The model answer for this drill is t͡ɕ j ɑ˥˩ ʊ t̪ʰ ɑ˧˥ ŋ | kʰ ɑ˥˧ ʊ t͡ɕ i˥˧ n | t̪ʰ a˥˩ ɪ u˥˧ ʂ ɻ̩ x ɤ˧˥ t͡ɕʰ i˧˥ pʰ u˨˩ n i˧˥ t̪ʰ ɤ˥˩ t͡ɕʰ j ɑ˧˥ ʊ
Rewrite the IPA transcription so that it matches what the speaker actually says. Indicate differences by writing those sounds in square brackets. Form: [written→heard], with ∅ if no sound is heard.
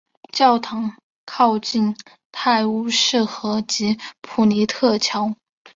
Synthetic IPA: t͡ɕ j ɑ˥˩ ʊ t̪ʰ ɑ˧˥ ŋ | kʰ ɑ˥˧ ʊ t͡ɕ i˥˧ n | t̪ʰ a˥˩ ɪ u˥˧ ʂ ɻ̩ x ɤ˧˥ [t͡ɕʰ→t͡ɕ] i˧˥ pʰ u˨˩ n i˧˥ t̪ʰ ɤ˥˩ t͡ɕʰ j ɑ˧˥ ʊ